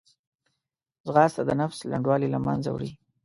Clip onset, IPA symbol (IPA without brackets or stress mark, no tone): z